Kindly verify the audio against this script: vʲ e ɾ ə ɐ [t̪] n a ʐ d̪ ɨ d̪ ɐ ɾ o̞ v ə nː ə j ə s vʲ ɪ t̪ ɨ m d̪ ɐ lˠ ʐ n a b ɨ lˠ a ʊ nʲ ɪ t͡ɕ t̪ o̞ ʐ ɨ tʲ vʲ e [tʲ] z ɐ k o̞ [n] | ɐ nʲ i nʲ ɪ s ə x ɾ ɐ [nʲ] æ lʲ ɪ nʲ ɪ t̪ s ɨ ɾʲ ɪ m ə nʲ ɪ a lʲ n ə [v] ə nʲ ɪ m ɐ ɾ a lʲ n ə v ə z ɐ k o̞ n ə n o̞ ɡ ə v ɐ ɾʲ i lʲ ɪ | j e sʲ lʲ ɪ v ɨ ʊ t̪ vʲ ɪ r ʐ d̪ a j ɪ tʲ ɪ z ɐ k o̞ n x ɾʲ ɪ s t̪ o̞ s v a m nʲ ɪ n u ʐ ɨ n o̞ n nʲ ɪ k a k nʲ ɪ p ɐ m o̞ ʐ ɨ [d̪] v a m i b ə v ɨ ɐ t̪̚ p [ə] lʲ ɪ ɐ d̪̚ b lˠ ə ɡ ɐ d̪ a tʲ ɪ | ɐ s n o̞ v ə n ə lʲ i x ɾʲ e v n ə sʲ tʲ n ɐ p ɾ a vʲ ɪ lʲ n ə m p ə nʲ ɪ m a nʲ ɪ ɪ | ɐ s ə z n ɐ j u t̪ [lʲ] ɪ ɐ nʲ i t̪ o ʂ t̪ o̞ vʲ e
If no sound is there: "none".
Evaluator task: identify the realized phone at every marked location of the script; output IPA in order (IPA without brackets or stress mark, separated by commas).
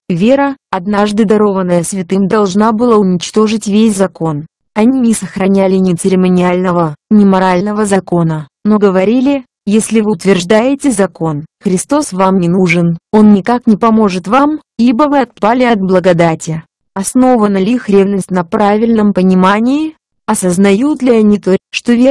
d̪, sʲ, n, nʲ, v, t̪, a, lʲ